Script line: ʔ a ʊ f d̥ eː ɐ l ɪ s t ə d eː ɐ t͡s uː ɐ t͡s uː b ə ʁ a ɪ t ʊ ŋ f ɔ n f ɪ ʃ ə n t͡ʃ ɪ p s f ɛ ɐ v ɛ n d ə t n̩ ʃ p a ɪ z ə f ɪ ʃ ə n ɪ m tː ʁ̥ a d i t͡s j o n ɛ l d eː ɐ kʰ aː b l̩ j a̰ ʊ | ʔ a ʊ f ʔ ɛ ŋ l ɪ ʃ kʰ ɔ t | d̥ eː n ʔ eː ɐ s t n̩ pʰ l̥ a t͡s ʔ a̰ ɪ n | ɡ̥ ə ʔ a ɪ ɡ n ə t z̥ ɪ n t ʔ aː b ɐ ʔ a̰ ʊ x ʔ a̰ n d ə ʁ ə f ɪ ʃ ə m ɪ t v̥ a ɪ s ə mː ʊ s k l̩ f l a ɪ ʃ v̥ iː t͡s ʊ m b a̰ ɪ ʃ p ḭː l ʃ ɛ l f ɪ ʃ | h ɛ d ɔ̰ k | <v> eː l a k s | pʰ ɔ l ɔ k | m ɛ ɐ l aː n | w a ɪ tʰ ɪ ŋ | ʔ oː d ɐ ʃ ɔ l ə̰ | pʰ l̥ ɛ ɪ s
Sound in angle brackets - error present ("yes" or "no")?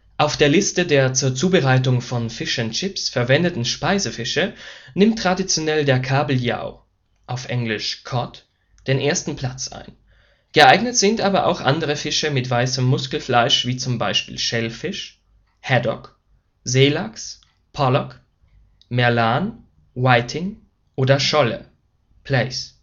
yes